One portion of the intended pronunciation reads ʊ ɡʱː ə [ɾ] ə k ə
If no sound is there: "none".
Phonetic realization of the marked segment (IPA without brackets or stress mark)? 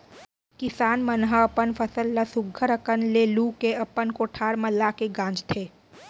ɾ